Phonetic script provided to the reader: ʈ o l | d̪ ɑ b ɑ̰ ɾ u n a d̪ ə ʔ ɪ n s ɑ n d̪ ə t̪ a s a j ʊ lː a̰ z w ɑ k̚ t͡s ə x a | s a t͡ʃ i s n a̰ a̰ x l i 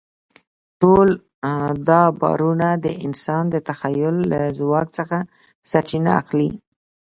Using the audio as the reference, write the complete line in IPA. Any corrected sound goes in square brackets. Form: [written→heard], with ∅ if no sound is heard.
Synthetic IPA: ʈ o l | d̪ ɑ b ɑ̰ ɾ u n a d̪ ə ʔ ɪ n s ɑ n d̪ ə t̪ a [s→x] a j ʊ lː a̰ z w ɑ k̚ t͡s ə x a | s a t͡ʃ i [s→∅] n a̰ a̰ x l i